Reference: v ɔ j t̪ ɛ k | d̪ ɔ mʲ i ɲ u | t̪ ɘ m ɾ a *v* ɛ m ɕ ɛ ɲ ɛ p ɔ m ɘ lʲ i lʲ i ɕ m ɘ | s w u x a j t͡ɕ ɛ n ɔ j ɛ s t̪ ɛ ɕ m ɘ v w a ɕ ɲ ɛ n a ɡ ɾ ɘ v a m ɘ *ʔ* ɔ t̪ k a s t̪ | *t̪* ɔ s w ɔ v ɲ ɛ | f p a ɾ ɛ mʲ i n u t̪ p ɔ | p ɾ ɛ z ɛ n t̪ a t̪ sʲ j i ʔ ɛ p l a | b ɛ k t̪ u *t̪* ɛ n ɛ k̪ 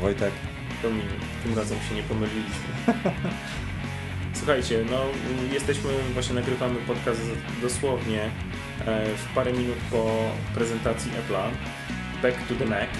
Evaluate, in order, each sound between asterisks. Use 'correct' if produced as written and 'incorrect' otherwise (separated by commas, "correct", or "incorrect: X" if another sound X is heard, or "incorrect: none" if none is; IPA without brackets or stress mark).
incorrect: z, incorrect: p, incorrect: d̪, incorrect: d̪